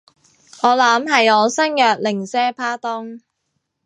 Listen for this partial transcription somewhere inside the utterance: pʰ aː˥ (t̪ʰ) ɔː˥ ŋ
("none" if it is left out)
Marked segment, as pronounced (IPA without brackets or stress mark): t̪